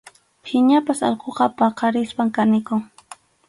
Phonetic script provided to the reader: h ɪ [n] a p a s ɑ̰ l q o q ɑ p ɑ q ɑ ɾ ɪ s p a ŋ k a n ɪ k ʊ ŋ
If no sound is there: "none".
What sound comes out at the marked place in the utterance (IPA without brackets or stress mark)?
ɲ